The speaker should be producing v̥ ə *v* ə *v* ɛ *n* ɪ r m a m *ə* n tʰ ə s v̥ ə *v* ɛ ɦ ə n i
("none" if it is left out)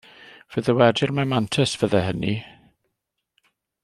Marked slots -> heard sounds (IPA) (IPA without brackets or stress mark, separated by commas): ð, w, d, a, ð